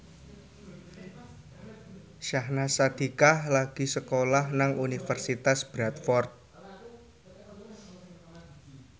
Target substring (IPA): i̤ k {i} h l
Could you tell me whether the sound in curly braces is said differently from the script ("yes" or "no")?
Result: yes